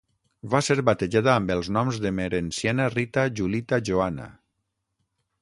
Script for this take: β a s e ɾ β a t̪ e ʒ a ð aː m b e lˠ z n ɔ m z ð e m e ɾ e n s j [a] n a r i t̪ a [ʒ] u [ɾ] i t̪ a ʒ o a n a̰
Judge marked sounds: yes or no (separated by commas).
yes, yes, no